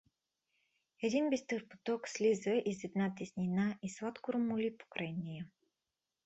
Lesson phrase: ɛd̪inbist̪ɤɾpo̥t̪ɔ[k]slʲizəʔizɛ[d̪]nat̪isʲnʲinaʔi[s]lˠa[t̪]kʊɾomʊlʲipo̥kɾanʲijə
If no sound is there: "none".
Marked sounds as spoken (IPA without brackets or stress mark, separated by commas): k, d̪, s, t̪